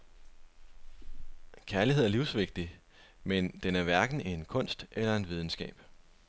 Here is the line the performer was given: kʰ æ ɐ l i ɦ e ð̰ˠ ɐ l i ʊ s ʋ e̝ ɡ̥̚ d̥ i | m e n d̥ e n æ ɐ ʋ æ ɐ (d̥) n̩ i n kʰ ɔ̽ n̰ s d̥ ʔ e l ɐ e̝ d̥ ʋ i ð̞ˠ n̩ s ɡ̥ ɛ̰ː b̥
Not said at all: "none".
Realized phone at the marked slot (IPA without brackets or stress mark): ɡ̥